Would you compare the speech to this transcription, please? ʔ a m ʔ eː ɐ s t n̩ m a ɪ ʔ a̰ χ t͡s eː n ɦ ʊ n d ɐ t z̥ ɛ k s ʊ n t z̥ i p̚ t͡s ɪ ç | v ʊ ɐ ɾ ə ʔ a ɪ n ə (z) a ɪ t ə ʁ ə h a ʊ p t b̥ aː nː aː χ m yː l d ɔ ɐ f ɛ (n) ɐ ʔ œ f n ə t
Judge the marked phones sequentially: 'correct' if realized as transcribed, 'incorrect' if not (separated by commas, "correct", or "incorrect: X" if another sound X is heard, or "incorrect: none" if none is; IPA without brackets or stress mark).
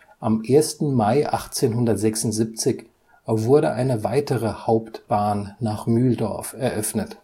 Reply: incorrect: v, incorrect: none